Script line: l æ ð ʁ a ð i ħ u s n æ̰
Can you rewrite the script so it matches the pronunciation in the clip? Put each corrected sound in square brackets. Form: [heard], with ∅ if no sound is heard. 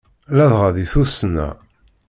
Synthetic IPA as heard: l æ ð ʁ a ð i [θ] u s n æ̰